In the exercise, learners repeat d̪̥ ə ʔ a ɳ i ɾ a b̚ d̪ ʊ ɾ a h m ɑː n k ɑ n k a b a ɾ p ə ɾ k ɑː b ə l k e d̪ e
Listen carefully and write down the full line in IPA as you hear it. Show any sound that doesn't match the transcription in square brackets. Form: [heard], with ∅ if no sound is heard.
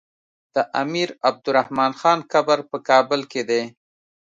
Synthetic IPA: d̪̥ ə ʔ a [m] i ɾ a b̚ d̪ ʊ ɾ a h m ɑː n [x] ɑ n k a b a ɾ p ə [∅] k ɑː b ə l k e d̪ e